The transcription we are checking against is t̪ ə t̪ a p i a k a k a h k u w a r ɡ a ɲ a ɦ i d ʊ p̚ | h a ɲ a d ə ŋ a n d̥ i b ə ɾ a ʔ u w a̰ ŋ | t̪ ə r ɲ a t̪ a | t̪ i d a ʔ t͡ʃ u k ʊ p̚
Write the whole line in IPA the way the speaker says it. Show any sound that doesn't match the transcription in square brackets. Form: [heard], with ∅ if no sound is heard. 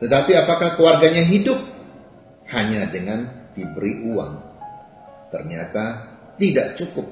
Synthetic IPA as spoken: t̪ ə t̪ a p i a [p] a k a h k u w a r ɡ a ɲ a ɦ i d ʊ p̚ | h a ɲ a d ə ŋ a n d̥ i b ə ɾ [i] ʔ u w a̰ ŋ | t̪ ə r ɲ a t̪ a | t̪ i d a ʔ t͡ʃ u k ʊ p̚